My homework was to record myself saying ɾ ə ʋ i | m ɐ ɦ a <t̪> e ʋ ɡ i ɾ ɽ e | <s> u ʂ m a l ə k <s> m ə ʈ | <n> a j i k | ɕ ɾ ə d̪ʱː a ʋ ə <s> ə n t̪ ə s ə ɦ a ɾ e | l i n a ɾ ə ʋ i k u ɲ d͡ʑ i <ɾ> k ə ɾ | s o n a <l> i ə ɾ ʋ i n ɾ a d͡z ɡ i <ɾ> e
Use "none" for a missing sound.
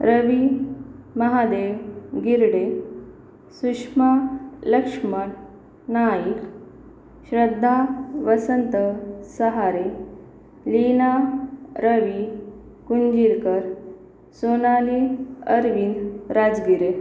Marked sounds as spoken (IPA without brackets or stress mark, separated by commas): d̪, s, ʂ, n, s, ɾ, l, ɾ